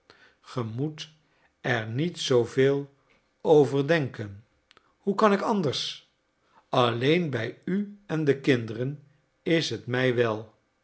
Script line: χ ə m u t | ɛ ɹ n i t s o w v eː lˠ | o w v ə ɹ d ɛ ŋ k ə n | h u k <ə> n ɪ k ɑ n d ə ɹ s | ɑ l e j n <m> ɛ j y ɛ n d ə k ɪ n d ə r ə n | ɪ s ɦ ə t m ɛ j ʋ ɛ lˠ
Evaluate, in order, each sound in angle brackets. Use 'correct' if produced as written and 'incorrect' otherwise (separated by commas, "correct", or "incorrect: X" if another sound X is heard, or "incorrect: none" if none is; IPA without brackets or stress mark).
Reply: incorrect: ɑ, incorrect: b